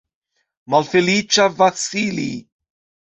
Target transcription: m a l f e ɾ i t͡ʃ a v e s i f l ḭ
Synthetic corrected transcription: m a l f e l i t͡ʃ a v a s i l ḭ

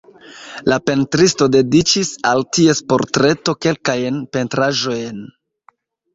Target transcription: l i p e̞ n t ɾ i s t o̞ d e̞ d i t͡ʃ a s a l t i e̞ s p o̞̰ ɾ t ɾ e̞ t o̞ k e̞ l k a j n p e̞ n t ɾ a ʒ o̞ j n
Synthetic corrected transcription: l a p e̞ n t ɾ i s t o̞ d e̞ d i t͡ʃ i s a l t i e̞ s p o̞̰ ɾ t ɾ e̞ t o̞ k e̞ l k a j n p e̞ n t ɾ a ʒ o̞ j n

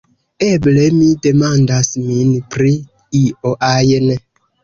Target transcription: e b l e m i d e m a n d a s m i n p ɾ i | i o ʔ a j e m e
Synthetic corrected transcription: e b l e m i d e m a n d a s m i n p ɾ i | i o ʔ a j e n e

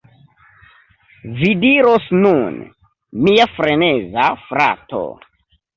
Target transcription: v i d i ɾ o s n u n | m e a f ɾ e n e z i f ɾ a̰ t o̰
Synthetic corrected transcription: v i d i ɾ o s n u n | m i a f ɾ e n e z a f ɾ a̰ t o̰

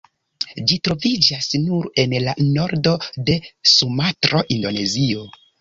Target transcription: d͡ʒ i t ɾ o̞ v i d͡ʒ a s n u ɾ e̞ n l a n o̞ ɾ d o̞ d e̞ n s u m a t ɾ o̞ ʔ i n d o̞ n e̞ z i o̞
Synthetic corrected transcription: d͡ʒ i t ɾ o̞ v i d͡ʒ a s n u ɾ e̞ n l a n o̞ ɾ d o̞ d e̞ s u m a t ɾ o̞ ʔ i n d o̞ n e̞ z i o̞

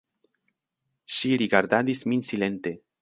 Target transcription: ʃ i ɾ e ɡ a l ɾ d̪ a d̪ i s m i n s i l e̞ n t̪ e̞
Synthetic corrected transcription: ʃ i ɾ i ɡ a ɾ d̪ a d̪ i s m i n s i l e̞ n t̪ e̞

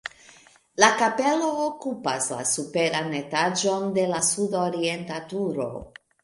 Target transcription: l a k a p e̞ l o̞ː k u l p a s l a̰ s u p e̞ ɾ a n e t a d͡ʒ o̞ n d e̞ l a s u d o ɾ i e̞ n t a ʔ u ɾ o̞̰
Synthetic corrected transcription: l a k a p e̞ l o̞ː k u p a s l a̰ s u p e̞ ɾ a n e t a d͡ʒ o̞ n d e̞ l a s u d o ɾ i e̞ n t a t u ɾ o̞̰

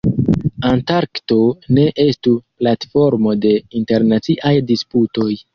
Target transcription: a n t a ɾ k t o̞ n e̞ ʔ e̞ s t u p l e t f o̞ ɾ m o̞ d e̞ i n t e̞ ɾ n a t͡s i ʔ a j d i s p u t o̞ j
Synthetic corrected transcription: a n t a ɾ k t o̞ n e̞ ʔ e̞ s t u p l a t f o̞ ɾ m o̞ d e̞ i n t e̞ ɾ n a t͡s i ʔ a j d i s p u t o̞ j

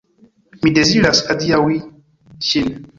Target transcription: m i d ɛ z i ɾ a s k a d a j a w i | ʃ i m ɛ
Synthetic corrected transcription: m i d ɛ z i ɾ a s k a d i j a w i | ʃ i n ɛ

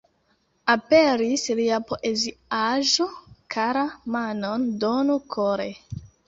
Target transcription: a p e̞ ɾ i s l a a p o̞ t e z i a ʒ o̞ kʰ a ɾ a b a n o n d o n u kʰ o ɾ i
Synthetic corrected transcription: a p e̞ ɾ i s l i a p o̞ ʔ e z i a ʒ o̞ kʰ a ɾ a m a n o n d o n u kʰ o ɾ e

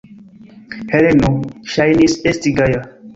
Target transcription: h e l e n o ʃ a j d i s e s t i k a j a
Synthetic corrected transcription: h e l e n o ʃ a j n i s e s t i ɡ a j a

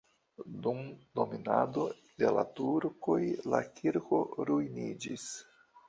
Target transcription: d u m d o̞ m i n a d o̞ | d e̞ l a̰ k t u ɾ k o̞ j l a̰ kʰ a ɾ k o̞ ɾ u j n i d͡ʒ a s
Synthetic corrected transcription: d u m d o̞ m i n a d o̞ | d e̞ l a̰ t u ɾ k o̞ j l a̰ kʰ i ɾ k o̞ ɾ u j n i d͡ʒ i s

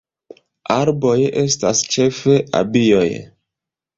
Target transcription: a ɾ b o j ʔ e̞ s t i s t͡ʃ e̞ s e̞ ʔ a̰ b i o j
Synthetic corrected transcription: a ɾ b o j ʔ e̞ s t a s t͡ʃ e̞ f e̞ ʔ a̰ b i o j

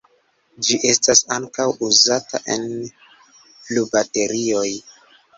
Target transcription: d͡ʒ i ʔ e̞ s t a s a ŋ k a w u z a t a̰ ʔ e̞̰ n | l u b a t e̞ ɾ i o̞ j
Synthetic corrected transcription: d͡ʒ i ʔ e̞ s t a s a ŋ k a w u z a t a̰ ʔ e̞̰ n | l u b a t e̞ ɾ i o̞ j

